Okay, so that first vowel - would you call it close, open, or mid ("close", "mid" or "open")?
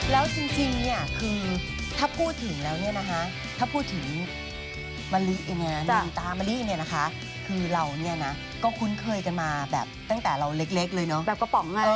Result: mid